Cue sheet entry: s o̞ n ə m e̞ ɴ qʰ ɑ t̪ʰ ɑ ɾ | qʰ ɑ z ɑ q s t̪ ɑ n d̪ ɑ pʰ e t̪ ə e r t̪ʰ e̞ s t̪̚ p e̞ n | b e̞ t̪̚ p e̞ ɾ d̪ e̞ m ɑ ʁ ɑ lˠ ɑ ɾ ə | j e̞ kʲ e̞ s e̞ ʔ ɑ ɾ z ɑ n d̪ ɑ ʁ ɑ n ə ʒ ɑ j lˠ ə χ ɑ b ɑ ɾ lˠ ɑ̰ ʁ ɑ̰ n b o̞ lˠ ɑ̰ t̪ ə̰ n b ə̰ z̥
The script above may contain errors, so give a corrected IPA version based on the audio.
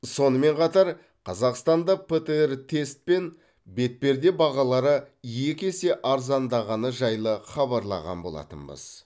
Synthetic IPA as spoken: s o̞ n ə m e̞ ɴ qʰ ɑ t̪ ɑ ɾ | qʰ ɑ z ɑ q s t̪ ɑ n d̪ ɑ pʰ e t̪ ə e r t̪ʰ e̞ s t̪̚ p e̞ n | b e̞ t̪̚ p e̞ ɾ d̪ e̞ b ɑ ʁ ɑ lˠ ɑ ɾ ə | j e̞ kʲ e̞ s e̞ ʔ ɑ ɾ z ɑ n d̪ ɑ ʁ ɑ n ə ʒ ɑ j lˠ ə χ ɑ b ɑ ɾ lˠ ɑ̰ ʁ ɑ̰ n b o̞ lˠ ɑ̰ t̪ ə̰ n b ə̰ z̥